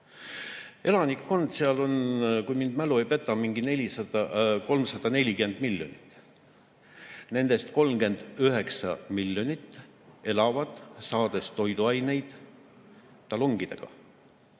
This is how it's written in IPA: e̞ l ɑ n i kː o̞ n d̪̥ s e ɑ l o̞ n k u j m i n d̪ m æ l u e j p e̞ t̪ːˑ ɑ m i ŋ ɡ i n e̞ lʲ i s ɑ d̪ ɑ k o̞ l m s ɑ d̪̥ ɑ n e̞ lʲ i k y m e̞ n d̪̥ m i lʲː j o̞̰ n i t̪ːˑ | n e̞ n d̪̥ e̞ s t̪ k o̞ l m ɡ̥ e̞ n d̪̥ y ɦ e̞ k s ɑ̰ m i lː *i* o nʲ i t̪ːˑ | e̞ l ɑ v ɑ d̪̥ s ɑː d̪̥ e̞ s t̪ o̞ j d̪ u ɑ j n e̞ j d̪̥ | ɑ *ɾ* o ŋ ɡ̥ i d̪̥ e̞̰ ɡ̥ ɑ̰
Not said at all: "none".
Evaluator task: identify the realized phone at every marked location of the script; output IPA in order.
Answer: j, l

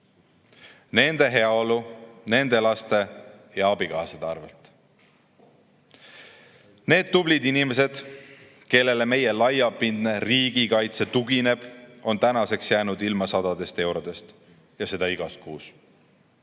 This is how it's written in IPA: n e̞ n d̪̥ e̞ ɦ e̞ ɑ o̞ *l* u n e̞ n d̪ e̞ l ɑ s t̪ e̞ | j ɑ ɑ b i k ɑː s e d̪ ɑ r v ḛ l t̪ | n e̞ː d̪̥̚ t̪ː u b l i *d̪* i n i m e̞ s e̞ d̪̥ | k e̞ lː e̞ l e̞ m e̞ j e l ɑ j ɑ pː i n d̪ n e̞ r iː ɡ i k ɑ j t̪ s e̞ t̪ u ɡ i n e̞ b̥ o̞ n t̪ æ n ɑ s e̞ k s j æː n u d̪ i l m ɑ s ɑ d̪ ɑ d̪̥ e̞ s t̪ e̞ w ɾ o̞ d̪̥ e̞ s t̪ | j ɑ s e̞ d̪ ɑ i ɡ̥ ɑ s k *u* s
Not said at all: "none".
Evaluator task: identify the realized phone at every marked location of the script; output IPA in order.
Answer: l, d̪, uː

